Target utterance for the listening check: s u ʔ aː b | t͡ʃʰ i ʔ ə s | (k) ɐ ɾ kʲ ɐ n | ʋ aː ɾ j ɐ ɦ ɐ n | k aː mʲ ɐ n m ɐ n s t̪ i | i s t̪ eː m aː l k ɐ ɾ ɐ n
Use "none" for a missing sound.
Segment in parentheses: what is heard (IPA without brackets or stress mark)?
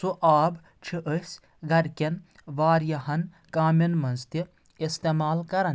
ɡ